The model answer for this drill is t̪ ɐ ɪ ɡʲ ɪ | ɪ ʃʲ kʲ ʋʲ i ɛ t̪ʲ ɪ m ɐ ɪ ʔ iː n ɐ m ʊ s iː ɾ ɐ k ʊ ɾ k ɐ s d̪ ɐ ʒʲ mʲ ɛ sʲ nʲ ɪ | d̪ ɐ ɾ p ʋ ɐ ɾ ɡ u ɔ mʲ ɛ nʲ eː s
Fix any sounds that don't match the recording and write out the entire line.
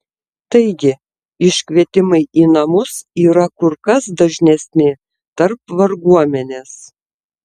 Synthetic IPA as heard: t̪ ɐ ɪ ɡʲ ɪ | ɪ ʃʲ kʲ ʋʲ i ɛ t̪ʲ ɪ m ɐ ɪ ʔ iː n ɐ m ʊ s iː ɾ ɐ k ʊ ɾ k ɐ s d̪ ɐ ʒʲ nʲ ɛ sʲ nʲ ɪ | t̪ ɐ ɾ p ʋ ɐ ɾ ɡ u ɔ mʲ ɛ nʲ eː s